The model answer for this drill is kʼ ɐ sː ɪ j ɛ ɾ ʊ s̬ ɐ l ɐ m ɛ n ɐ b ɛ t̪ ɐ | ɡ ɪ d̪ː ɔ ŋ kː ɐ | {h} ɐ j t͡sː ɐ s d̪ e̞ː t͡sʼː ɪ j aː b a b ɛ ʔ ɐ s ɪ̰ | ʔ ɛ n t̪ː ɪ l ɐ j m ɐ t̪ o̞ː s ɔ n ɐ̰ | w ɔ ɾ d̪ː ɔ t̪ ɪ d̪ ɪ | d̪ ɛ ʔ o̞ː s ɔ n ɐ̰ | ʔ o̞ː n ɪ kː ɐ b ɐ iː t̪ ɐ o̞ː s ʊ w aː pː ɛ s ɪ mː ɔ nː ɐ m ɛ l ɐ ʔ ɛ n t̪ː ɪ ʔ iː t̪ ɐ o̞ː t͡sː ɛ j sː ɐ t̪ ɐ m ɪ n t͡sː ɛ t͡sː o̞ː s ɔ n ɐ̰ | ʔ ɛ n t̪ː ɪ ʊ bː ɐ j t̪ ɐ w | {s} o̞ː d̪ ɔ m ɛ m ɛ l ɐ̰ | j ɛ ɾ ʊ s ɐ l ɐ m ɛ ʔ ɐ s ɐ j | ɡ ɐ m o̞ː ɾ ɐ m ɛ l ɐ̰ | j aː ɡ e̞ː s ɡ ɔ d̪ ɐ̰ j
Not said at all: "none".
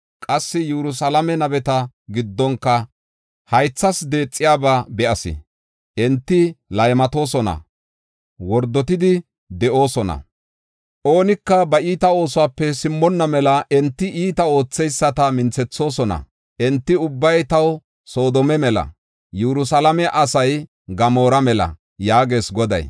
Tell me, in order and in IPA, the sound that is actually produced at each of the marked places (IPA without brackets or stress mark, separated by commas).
h, s